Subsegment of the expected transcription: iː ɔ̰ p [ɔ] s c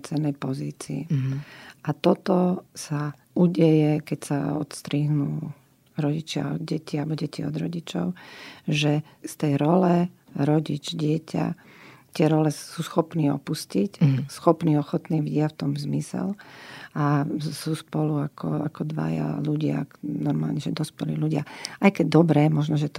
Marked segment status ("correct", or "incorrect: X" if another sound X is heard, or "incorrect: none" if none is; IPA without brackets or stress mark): incorrect: u